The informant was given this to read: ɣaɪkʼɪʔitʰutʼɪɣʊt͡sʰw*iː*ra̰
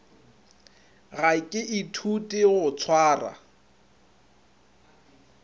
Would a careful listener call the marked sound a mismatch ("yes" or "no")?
yes